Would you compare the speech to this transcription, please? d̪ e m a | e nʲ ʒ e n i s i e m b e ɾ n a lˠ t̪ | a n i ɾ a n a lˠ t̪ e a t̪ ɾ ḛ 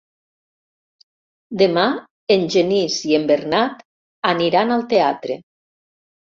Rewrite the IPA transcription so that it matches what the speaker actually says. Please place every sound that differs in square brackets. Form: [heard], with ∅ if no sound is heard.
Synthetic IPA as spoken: d̪ e m a | e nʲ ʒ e n i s i e m b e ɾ n a [∅] t̪ | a n i ɾ a n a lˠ t̪ e a t̪ ɾ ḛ